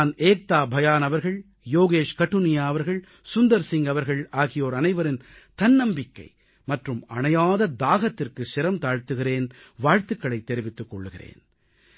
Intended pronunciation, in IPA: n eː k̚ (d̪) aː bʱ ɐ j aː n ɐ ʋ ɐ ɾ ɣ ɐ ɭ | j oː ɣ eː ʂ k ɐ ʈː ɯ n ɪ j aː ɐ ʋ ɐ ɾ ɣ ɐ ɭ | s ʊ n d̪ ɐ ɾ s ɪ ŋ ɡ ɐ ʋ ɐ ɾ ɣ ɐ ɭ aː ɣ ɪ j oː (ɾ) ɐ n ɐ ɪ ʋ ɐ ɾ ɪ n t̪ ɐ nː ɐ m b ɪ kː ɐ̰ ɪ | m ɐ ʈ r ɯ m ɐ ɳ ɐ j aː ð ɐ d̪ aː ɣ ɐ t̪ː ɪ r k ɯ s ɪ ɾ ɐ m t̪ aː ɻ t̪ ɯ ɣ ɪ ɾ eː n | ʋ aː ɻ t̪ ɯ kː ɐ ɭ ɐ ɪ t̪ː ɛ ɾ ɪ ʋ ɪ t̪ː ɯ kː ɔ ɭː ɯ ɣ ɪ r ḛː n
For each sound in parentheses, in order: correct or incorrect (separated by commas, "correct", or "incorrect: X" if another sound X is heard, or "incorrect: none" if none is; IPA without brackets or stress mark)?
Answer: incorrect: t̪, correct